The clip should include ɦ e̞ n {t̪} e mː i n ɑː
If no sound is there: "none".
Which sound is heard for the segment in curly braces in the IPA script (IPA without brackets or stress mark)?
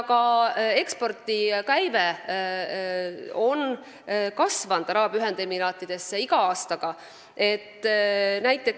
d̪